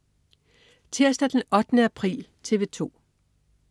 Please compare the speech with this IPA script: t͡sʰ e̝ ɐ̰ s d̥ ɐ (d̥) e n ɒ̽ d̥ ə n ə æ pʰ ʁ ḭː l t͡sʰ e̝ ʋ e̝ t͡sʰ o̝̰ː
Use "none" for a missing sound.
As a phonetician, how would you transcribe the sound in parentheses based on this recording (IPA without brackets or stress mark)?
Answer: d̥